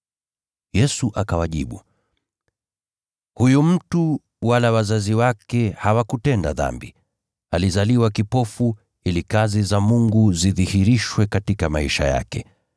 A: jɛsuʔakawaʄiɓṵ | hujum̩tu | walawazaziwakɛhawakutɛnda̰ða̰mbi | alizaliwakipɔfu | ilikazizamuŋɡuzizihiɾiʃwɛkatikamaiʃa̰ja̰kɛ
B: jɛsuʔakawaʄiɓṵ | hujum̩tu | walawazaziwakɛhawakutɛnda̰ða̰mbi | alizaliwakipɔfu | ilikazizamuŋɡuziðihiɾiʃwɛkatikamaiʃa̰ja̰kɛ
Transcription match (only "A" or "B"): B